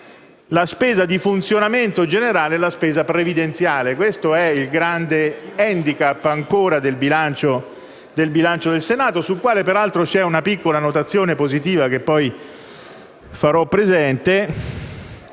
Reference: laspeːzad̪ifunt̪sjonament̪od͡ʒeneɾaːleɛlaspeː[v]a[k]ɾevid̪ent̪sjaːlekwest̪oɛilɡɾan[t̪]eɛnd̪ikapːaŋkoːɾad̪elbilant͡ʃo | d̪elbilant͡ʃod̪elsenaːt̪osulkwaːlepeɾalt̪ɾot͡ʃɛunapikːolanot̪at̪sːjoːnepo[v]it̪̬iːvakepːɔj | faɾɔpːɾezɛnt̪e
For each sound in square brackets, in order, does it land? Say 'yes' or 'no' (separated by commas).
no, no, no, no